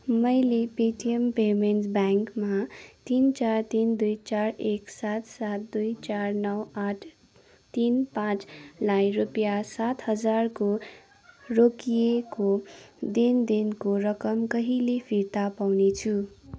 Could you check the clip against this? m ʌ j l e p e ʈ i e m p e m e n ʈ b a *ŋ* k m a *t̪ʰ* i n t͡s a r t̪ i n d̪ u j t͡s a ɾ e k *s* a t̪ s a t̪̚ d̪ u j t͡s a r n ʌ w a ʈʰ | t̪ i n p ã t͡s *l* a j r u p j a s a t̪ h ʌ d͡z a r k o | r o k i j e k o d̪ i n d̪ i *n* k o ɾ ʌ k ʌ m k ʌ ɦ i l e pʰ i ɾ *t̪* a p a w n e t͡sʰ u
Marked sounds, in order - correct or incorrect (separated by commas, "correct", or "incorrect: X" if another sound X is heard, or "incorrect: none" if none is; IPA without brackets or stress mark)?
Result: correct, incorrect: t̪, correct, correct, correct, correct